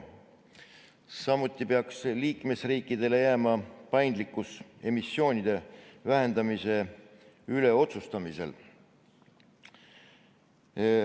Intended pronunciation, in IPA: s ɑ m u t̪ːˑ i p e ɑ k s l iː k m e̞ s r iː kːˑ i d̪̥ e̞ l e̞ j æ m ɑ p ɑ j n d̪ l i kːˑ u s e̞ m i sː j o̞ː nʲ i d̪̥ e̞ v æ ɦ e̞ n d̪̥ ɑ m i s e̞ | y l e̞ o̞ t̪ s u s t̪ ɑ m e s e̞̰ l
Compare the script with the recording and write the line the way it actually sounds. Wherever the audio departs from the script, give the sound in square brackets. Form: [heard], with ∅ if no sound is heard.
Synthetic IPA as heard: s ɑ m u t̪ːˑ i p e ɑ k s l iː k m e̞ s r iː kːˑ i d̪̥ e̞ l e̞ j æ m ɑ p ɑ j n d̪ l i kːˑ u s e̞ m i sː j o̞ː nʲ i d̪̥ e̞ v æ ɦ e̞ n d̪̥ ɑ m i s e̞ | y l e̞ o̞ t̪ s u s t̪ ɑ m [i] s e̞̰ l